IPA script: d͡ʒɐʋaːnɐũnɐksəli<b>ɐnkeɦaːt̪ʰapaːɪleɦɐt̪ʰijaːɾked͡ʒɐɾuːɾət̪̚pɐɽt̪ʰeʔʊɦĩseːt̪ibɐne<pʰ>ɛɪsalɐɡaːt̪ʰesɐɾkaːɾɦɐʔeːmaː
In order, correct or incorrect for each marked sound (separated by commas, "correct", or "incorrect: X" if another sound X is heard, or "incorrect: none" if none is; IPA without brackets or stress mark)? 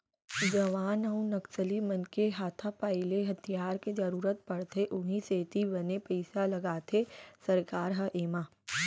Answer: incorrect: m, incorrect: p